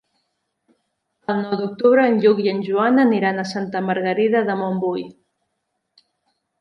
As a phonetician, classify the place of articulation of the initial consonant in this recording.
alveolar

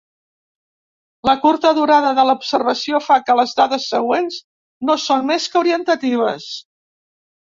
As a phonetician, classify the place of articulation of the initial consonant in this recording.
alveolar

